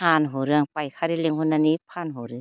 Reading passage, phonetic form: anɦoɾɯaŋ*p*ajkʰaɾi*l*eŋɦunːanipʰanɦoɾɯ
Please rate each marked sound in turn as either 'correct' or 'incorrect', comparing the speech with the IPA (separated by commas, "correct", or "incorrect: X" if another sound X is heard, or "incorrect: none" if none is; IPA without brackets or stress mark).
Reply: correct, correct